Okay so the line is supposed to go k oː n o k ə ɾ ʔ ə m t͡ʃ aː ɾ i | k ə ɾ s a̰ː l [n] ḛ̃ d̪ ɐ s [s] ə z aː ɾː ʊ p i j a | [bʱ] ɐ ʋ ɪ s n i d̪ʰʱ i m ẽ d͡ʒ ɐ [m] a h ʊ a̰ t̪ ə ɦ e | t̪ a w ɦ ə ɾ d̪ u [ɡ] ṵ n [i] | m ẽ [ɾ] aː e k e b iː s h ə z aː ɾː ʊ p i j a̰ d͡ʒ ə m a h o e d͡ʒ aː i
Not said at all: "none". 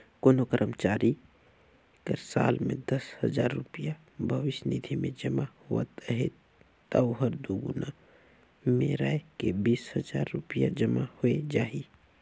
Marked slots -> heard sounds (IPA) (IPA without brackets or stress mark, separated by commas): m, h, bʱ, m, ɡ, a, ɾ